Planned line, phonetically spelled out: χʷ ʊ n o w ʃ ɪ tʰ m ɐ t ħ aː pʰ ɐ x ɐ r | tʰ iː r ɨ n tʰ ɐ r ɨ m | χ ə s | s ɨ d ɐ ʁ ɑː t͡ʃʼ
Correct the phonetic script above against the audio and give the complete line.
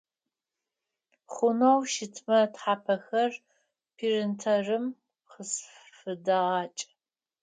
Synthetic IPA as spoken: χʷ ʊ n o w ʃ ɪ tʰ m ɐ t ħ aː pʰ ɐ x ɐ r | pʰ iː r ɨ n tʰ ɐ r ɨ m | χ ə s | f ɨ d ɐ ʁ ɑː t͡ʃʼ